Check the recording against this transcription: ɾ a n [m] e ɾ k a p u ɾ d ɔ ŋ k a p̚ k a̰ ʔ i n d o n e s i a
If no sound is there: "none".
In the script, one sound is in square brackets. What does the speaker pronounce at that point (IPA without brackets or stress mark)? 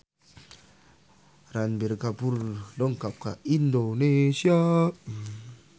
b